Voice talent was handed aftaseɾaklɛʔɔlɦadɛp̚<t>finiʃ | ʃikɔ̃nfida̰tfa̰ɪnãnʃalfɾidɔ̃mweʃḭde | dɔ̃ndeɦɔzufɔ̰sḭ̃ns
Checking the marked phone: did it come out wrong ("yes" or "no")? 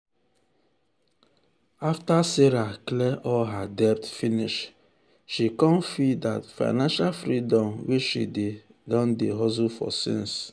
no